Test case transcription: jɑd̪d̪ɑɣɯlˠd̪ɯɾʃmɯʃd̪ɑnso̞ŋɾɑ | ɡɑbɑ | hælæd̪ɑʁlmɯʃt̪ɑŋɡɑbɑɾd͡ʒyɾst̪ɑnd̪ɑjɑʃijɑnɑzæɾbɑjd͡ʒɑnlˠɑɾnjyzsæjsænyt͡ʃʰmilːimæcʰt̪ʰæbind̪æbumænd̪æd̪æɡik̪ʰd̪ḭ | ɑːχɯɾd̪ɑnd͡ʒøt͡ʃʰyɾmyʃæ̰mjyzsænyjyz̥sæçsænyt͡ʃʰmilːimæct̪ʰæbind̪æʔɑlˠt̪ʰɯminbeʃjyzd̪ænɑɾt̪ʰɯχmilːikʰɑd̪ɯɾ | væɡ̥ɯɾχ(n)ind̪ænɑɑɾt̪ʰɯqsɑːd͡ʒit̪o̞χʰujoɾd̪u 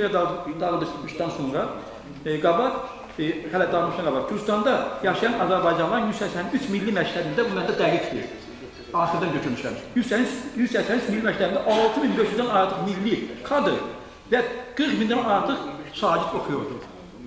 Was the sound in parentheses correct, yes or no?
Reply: no